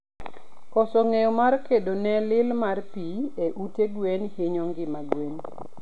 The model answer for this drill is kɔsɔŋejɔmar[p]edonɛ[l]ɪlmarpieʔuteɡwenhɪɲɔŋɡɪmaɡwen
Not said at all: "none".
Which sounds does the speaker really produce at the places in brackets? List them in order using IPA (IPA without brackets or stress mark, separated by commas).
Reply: k, l